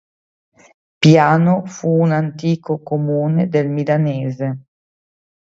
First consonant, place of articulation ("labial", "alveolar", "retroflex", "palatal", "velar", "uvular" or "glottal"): labial